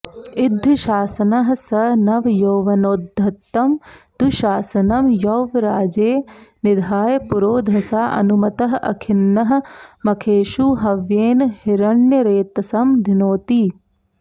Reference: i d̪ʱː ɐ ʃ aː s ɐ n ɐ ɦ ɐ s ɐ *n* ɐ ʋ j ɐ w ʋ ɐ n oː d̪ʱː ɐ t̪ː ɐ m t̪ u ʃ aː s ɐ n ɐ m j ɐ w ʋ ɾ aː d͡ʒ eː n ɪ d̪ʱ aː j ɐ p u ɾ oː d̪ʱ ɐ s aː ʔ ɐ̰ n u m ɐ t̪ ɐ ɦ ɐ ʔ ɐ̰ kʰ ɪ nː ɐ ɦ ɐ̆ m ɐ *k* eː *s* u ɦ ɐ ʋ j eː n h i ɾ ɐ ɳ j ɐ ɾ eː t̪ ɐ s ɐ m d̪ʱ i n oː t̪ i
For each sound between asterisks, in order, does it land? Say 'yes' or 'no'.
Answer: yes, no, no

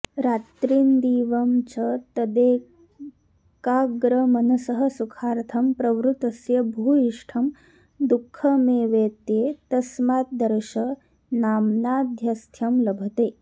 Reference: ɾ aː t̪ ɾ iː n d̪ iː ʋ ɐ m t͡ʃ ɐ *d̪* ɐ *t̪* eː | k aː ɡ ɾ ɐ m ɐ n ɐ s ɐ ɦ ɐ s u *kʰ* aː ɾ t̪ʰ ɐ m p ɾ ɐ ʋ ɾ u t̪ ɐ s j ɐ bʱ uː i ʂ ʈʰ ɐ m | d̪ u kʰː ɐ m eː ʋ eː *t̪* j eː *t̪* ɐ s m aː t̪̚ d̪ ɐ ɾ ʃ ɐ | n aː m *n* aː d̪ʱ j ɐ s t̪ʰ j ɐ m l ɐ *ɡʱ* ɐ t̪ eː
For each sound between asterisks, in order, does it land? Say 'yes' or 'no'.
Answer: no, no, yes, yes, yes, yes, no

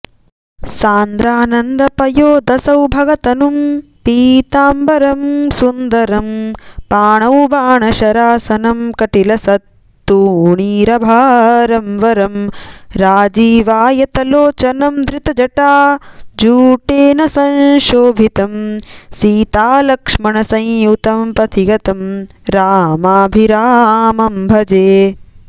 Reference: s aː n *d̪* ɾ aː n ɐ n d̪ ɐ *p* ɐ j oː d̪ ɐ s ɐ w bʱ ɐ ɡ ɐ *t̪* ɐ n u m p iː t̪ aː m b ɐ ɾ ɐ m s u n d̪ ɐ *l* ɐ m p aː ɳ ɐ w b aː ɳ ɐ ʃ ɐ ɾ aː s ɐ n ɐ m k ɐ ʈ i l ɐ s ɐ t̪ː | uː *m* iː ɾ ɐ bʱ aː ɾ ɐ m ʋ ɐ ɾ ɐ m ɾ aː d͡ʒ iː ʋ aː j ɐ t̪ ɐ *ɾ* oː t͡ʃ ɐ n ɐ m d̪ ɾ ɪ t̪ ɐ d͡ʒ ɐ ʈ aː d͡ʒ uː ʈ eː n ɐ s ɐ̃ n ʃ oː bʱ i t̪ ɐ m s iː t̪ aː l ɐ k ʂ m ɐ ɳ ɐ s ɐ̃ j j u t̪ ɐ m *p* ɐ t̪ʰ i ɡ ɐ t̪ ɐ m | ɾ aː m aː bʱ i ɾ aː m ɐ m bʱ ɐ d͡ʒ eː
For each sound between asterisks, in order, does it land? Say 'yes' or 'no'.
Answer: yes, yes, yes, no, no, no, yes

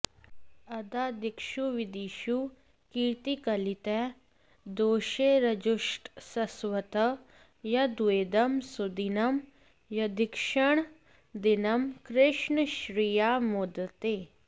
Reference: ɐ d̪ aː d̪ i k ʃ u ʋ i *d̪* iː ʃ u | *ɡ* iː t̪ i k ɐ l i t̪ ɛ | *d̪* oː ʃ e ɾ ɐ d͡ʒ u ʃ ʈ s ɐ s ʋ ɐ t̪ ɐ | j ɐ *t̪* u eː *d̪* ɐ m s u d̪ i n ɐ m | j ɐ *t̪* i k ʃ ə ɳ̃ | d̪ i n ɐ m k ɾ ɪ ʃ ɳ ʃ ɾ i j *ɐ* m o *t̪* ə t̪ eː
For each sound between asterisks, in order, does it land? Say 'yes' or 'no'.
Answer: yes, no, yes, no, yes, no, no, no

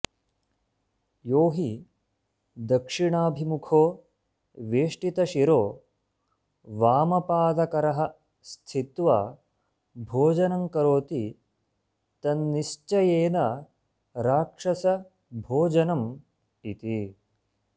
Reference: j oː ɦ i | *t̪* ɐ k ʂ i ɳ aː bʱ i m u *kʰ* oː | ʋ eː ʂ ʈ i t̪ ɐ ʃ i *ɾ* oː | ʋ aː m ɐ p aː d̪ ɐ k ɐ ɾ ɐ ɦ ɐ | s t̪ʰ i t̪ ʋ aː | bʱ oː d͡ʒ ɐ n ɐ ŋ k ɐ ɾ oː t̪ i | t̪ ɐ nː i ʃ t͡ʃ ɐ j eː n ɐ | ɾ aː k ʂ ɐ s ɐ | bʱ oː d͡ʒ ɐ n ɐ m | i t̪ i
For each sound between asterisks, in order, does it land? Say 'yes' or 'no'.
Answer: no, yes, yes

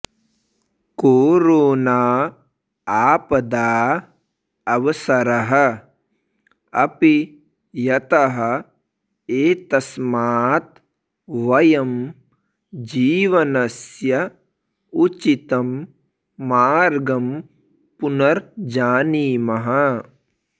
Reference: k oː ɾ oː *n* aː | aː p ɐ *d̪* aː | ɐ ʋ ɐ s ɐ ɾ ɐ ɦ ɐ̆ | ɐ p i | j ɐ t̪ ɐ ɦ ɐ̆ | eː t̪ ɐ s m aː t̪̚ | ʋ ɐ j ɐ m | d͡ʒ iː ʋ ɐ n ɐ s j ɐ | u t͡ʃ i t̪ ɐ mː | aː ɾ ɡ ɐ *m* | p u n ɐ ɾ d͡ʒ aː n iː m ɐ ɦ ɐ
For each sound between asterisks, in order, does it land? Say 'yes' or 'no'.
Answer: yes, yes, yes

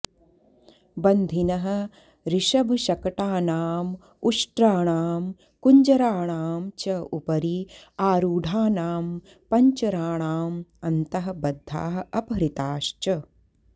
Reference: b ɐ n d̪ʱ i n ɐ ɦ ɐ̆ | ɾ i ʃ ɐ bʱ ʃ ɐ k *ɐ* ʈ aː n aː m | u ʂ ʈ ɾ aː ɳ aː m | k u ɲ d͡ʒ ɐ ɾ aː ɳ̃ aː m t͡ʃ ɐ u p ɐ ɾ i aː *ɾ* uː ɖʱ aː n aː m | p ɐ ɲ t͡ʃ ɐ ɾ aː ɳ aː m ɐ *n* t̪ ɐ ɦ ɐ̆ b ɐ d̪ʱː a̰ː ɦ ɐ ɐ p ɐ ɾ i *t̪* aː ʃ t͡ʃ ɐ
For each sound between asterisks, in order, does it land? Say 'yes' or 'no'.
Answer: yes, yes, yes, yes

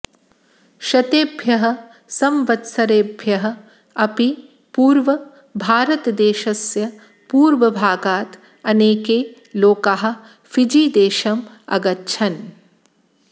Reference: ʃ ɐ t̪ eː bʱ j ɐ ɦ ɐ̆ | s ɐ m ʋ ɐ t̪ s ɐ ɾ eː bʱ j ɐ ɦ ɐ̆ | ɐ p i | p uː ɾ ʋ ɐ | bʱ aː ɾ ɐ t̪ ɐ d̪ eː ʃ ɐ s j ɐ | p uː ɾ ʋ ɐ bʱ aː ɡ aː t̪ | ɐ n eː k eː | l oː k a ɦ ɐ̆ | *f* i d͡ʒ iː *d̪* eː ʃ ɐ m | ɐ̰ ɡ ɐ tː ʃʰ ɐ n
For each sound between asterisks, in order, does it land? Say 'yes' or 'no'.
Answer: yes, yes

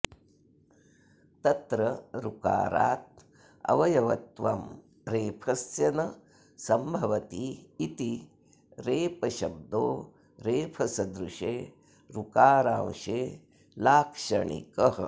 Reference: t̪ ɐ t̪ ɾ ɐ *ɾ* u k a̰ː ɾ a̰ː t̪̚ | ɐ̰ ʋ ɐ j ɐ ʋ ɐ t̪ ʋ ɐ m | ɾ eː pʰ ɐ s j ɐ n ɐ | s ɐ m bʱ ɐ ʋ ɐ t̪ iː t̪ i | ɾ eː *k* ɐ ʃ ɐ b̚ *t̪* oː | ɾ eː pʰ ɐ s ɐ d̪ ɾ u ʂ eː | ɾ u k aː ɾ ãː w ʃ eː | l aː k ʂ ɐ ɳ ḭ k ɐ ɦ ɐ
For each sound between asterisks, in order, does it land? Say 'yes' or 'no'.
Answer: yes, no, no

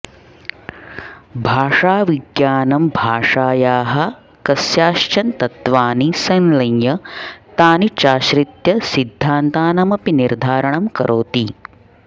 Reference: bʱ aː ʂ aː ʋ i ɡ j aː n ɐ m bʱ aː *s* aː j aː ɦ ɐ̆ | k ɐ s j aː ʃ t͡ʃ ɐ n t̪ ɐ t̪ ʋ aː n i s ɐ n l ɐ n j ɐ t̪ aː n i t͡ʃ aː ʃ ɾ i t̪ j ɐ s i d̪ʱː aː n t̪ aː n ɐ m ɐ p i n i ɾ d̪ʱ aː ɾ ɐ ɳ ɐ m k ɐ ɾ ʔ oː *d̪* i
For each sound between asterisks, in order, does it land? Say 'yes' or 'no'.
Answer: no, no

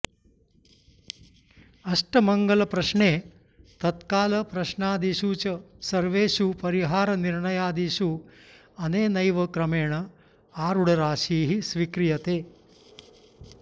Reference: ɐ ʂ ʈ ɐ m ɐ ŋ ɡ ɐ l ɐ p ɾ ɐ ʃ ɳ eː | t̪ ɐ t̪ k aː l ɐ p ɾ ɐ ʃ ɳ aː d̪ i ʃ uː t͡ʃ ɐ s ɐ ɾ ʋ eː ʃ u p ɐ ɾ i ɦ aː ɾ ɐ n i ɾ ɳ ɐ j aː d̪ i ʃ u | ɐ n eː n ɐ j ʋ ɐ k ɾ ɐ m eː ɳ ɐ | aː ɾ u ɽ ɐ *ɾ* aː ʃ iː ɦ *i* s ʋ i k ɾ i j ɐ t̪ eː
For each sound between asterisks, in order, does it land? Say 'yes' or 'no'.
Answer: yes, yes

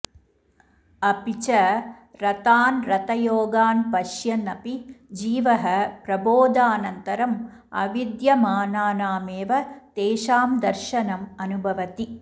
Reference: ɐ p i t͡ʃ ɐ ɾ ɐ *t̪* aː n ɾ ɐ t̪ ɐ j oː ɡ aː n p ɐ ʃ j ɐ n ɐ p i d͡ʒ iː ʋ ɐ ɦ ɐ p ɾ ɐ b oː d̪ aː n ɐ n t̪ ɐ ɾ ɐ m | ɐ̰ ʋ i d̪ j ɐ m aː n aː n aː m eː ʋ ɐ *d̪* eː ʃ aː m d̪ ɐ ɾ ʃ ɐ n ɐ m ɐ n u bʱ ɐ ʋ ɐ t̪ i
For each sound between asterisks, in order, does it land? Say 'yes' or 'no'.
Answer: yes, no

